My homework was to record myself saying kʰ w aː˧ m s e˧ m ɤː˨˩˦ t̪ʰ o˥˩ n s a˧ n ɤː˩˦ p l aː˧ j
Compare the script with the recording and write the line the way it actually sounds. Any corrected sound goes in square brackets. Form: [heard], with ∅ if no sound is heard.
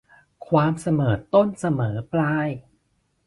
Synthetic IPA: kʰ w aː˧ m s [a˧] m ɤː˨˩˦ [t̪] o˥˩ n s a˧ [m] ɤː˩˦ p l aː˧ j